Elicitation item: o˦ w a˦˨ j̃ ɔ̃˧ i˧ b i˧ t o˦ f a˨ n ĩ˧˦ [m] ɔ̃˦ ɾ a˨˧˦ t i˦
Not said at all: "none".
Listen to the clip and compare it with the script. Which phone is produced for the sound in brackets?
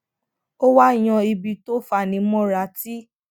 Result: m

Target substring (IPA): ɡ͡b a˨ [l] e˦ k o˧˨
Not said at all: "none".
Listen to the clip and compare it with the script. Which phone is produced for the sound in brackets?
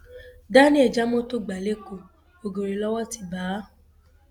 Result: l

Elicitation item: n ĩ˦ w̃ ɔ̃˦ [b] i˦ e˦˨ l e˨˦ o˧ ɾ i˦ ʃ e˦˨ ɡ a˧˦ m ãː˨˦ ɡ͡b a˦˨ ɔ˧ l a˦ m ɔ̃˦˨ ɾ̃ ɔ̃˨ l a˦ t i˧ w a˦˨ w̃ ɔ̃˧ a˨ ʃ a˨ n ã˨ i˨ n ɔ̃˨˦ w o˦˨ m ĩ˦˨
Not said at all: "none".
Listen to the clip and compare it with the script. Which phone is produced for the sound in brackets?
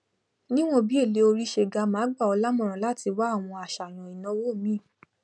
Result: b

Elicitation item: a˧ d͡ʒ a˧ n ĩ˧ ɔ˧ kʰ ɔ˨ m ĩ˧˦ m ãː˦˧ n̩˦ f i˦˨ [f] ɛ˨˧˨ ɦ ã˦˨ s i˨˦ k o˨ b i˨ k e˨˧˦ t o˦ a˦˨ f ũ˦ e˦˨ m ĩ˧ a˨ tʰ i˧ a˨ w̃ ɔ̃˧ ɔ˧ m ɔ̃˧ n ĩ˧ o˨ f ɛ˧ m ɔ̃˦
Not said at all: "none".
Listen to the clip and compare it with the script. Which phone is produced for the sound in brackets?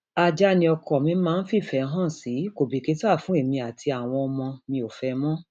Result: f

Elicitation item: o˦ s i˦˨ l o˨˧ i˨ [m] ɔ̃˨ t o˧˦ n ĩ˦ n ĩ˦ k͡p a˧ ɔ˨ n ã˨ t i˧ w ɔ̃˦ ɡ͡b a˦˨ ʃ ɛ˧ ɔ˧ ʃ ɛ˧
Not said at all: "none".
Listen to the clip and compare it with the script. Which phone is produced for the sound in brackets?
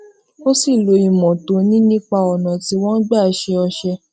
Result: m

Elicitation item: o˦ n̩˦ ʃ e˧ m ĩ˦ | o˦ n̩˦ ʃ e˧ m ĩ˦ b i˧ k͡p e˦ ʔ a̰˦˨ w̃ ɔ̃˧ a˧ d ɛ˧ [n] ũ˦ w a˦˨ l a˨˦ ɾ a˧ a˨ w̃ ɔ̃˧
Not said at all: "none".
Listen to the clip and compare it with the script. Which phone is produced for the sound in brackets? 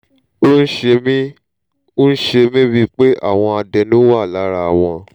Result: n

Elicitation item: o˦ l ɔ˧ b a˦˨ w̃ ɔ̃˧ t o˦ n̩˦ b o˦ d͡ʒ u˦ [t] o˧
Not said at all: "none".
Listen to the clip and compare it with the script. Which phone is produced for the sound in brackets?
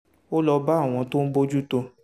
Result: t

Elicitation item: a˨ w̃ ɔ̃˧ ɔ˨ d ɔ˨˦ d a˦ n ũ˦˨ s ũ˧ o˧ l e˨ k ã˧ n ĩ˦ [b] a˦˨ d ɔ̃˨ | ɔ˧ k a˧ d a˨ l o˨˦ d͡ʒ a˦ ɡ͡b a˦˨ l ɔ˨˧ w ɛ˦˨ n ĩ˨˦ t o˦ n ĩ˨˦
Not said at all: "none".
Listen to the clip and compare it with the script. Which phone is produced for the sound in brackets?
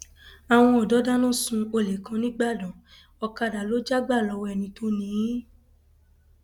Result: ɡ͡b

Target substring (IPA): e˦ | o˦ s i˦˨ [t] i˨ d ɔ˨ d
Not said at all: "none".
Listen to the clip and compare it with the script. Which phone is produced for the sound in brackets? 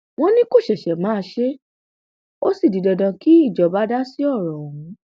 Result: d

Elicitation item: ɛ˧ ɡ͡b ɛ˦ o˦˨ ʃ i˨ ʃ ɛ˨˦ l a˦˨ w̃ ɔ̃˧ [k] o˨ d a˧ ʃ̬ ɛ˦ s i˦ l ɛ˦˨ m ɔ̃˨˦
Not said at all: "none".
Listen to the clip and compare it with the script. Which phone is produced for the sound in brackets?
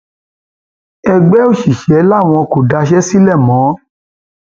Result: k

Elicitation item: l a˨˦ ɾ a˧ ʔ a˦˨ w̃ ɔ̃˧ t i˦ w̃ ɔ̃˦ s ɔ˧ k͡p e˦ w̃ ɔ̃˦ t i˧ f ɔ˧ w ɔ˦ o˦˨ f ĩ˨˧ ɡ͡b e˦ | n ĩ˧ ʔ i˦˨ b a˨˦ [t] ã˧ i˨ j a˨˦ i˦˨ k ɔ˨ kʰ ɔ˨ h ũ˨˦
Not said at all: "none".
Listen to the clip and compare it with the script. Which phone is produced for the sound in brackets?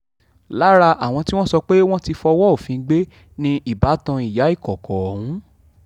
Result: t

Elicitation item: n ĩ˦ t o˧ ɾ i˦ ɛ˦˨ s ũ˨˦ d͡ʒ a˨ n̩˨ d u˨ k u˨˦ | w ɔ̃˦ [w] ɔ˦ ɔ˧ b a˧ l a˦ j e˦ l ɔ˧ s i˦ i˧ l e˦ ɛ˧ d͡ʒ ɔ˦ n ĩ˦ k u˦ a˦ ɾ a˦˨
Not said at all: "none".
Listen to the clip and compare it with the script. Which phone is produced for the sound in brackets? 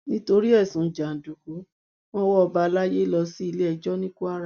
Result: w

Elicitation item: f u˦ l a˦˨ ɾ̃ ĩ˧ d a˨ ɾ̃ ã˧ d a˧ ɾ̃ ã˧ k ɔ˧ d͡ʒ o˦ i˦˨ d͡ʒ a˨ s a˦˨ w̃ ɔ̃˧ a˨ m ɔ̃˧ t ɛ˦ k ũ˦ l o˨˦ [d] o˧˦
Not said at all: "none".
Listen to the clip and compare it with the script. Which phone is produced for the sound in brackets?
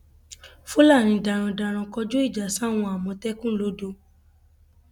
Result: d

